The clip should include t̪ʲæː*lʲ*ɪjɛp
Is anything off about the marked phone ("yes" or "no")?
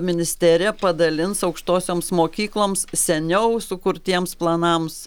yes